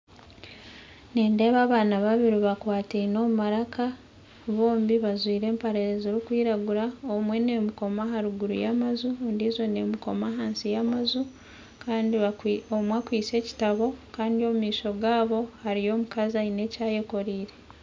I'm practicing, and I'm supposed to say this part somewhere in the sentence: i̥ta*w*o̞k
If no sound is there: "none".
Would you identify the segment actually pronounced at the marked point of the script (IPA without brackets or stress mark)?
β